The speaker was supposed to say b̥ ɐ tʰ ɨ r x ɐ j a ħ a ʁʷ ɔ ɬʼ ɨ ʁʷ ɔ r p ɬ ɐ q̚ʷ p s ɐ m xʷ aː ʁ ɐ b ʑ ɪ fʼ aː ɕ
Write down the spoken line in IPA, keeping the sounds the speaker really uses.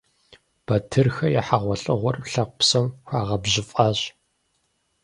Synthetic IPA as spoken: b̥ ɐ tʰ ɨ r x ɐ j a ħ a ʁʷ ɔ ɬʼ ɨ ʁʷ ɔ r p ɬ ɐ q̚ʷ p s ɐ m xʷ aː ʁ ɐ b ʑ ɪ fʼ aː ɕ

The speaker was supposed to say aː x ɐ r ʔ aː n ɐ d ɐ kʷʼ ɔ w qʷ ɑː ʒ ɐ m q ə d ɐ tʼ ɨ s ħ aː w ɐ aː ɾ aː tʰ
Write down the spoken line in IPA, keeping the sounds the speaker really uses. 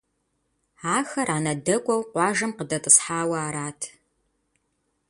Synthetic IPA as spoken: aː x ɐ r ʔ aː n ɐ d ɐ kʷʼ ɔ w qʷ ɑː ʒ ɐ m q ə d ɐ tʼ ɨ s ħ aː w ɐ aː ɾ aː tʰ

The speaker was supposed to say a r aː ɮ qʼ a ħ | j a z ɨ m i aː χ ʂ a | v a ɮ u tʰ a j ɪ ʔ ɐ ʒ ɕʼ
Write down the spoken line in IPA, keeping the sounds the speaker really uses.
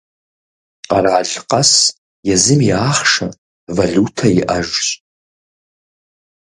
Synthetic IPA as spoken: a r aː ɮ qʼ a s | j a z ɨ m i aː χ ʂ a | v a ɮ u tʰ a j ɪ ʔ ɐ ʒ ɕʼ

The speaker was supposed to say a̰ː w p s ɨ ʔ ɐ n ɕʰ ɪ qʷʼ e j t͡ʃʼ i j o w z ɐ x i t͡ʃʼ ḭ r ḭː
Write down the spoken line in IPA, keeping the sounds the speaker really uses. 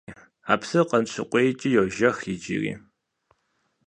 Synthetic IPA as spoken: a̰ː p s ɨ q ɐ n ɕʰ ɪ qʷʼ e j t͡ʃʼ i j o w ʒ ɐ x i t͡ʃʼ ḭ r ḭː

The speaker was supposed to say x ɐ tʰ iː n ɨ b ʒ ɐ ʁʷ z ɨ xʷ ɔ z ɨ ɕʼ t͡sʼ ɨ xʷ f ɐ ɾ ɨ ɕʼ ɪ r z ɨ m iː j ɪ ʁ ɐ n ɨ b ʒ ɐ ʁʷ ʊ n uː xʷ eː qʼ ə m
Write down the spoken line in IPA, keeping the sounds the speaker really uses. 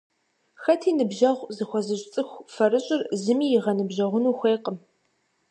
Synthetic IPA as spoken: x ɐ tʰ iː n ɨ b ʒ ɐ ʁʷ z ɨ xʷ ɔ z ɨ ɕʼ t͡sʼ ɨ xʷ f ɐ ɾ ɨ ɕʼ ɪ r z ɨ m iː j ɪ ʁ ɐ n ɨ b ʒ ɐ ʁʷ ʊ n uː xʷ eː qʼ ə m

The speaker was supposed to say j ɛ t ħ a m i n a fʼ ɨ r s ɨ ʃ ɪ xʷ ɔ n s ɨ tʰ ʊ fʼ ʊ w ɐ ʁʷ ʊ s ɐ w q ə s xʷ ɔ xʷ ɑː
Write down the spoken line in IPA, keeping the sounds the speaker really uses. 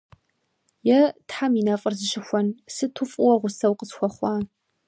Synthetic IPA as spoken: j ɛ t ħ a m i n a fʼ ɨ r z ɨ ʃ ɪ xʷ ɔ n s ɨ tʰ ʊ fʼ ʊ w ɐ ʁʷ ʊ s ɐ w q ə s xʷ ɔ χʷ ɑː

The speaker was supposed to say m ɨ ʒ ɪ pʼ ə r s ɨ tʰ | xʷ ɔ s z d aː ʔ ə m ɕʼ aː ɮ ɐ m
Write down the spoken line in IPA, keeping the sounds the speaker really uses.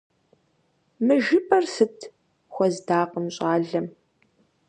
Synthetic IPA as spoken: m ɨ ʒ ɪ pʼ ɐ r s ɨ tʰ | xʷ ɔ z d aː q ə m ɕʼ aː ɮ ɐ m

